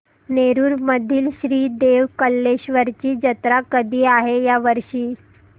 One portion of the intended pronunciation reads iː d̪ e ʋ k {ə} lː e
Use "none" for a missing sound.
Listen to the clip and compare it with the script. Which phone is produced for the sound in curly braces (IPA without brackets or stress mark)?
ə